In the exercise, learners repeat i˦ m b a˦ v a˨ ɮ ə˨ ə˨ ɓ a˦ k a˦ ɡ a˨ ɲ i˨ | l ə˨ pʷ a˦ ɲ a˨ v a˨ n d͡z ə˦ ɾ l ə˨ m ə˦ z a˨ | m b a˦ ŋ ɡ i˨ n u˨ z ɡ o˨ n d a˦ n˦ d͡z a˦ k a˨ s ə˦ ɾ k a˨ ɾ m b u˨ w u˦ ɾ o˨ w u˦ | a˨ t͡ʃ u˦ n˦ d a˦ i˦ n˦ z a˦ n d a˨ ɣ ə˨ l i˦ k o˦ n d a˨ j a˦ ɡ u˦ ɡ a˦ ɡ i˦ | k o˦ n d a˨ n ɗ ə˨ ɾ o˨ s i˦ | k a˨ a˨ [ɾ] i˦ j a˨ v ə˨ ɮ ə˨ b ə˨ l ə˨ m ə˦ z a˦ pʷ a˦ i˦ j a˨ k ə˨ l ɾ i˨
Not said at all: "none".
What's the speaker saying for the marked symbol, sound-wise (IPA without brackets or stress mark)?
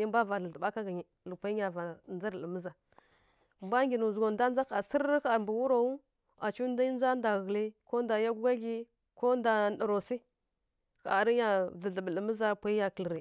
ɾ